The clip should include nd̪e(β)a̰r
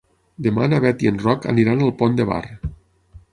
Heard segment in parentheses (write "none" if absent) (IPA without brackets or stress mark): β